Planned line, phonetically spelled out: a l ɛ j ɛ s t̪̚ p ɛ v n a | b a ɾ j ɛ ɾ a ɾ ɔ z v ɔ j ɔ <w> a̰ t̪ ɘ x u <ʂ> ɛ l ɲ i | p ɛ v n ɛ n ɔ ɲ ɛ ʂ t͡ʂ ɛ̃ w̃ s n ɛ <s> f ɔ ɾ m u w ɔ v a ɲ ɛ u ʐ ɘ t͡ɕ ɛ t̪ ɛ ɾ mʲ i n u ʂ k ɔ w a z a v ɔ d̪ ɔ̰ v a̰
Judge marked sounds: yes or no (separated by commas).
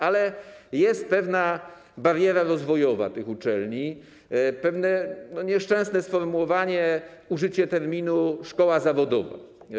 no, no, yes